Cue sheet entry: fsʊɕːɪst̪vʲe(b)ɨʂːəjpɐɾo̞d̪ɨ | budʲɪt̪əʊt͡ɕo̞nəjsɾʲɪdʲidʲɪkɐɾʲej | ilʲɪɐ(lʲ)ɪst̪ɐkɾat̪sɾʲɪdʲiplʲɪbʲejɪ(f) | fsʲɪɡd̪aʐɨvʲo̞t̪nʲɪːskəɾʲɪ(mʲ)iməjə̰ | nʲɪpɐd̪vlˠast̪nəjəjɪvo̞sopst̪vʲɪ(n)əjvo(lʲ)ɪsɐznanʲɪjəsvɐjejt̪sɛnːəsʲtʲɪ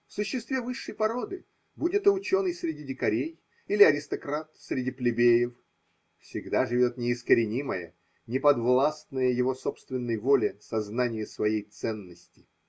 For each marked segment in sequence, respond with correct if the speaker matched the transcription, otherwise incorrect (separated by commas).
incorrect, incorrect, correct, incorrect, incorrect, correct